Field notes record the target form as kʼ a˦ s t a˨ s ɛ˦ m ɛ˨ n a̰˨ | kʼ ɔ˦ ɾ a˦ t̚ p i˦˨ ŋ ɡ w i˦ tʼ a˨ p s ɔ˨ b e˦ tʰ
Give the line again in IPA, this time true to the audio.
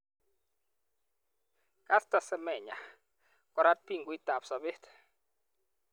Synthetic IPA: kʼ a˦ s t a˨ s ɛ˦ m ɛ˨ ɲ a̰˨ | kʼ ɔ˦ ɾ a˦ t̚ p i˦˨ ŋ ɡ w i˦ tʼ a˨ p s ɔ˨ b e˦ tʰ